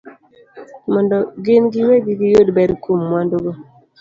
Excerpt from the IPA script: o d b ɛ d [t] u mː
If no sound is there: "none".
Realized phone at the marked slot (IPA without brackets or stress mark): k